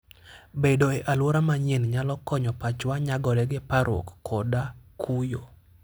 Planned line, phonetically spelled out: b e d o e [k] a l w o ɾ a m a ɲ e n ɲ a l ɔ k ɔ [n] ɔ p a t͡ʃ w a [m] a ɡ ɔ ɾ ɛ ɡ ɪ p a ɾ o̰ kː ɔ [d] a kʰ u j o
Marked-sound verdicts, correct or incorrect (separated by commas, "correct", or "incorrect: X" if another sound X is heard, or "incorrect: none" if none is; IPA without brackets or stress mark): incorrect: ʔ, incorrect: ɲ, incorrect: ɲ, correct